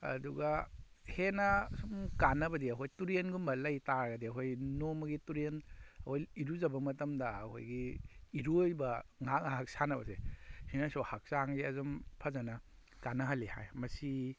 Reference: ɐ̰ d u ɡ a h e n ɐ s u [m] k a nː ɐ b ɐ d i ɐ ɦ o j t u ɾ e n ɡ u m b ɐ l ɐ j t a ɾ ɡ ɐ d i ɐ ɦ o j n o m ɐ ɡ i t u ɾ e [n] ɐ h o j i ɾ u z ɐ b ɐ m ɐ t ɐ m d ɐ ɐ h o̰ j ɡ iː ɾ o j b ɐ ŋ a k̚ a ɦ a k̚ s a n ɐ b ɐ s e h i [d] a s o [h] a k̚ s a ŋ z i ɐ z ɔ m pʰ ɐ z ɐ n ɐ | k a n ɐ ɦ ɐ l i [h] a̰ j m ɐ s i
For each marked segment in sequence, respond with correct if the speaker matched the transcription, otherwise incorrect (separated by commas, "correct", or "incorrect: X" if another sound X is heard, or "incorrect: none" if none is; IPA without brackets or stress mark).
correct, correct, incorrect: n, correct, correct